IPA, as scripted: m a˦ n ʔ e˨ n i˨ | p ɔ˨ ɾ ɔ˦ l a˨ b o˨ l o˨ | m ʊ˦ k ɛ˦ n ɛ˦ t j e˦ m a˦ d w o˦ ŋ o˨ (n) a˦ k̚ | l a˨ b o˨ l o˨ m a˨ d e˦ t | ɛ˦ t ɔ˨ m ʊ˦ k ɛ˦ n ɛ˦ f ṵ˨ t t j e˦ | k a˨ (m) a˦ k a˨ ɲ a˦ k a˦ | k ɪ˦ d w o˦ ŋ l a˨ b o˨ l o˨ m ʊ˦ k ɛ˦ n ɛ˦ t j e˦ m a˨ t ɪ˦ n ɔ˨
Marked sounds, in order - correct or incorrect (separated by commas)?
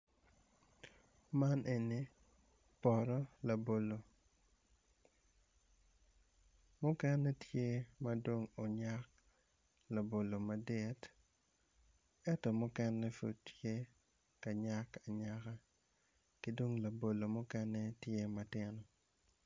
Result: incorrect, incorrect